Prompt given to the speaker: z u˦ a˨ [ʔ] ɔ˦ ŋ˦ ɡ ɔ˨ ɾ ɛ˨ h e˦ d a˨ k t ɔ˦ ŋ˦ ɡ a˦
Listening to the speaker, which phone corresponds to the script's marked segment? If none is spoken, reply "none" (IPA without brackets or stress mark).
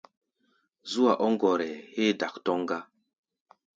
ʔ